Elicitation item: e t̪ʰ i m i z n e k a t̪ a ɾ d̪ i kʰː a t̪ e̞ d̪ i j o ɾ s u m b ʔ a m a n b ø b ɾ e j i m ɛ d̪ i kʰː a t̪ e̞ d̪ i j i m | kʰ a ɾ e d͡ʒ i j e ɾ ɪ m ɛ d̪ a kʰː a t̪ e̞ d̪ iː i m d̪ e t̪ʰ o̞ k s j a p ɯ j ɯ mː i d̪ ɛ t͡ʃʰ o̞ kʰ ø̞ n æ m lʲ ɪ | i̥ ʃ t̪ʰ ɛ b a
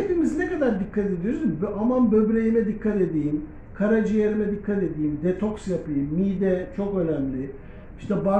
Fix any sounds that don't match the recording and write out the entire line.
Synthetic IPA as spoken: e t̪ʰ i m i z n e k a d̪ a ɾ d̪ i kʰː a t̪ e̞ d̪ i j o ɾ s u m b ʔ a m a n b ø b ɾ e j i m ɛ d̪ i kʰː a t̪ e̞ d̪ i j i m | kʰ a ɾ a d͡ʒ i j e ɾ i m ɛ d̪ i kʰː a t̪ e̞ d̪ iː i m d̪ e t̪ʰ o̞ k s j a p ɯ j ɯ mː i d̪ ɛ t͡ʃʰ o̞ k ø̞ n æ m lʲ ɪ | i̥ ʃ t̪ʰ ɛ b a